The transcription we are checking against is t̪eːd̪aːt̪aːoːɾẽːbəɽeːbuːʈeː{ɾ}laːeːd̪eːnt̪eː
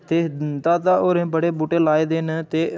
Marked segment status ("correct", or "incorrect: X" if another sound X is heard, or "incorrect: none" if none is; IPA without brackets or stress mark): incorrect: none